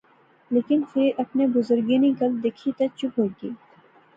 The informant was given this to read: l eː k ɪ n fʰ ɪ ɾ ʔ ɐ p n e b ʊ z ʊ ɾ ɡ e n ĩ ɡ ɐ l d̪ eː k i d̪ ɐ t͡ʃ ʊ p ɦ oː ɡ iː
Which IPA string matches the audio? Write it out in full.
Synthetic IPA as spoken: l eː k ɪ n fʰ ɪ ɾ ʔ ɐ p n e b ʊ z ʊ ɾ ɡ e n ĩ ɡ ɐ l d̪ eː kʰ i t̪ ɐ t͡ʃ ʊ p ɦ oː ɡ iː

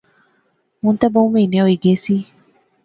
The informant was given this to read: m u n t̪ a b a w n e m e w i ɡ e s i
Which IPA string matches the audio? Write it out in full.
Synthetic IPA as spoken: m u n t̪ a b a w m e n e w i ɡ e s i

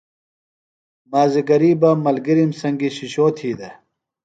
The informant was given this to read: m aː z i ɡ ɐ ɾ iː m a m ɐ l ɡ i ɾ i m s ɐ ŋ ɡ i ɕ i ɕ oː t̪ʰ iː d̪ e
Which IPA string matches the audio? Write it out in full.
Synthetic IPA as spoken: m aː z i ɡ ɐ ɾ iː b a m ɐ l ɡ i ɾ i m s ɐ ŋ ɡ i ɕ i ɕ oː t̪ʰ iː d̪ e

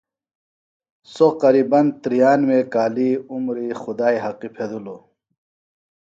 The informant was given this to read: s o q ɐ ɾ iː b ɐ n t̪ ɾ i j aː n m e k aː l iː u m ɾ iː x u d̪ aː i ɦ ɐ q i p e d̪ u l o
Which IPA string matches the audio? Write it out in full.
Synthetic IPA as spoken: s o q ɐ ɾ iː b ɐ n t̪ ɾ i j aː n m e k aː l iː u m ɾ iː x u d̪ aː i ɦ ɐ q i pʰ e d̪ u l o

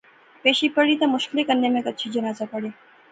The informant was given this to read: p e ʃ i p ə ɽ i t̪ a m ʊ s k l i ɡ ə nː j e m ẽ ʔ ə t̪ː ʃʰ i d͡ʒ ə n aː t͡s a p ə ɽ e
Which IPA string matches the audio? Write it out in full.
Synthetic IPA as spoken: p e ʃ i p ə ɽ i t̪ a m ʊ ʃ k l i k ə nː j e m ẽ k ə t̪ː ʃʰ i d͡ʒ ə n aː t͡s a p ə ɽ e

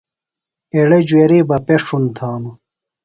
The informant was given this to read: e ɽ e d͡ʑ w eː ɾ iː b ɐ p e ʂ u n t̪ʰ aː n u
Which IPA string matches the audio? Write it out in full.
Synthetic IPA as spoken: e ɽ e d͡ʑ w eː ɾ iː b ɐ p e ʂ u n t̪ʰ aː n u

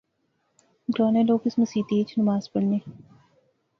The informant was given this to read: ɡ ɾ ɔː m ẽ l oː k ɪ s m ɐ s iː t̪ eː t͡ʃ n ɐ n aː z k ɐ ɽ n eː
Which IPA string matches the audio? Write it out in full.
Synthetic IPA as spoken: ɡ ɾ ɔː n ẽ l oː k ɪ s m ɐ s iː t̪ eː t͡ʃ n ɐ m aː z p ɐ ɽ n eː

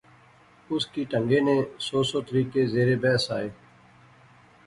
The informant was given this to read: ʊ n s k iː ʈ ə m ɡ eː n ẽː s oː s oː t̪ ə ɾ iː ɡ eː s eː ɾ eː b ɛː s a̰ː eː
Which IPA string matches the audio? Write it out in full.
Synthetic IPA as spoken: ʊ s k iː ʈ ə ŋ ɡ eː n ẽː s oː s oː t̪ ə ɾ iː k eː z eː ɾ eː b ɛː s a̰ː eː

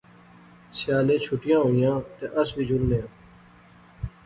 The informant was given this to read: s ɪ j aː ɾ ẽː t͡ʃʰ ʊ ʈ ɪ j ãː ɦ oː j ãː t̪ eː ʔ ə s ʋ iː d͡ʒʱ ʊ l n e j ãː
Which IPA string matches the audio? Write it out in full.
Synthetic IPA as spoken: s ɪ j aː l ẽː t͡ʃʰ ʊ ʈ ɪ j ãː ɦ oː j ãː t̪ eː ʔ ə s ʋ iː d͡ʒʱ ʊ l n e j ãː

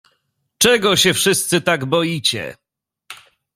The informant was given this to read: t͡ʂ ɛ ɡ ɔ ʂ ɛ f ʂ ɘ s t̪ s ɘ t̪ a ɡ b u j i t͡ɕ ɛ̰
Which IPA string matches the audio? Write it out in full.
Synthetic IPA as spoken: t͡ʂ ɛ ɡ ɔ ɕ ɛ f ʂ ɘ s t̪ s ɘ t̪ a ɡ b ɔ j i t͡ɕ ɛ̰

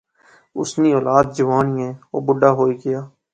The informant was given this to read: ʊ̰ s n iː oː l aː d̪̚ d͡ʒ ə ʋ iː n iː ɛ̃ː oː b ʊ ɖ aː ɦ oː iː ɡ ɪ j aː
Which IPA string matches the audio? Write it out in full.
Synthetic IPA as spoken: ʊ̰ s n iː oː l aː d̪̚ d͡ʒ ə ʋ aː n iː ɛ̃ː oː b ʊ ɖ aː ɦ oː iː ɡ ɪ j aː

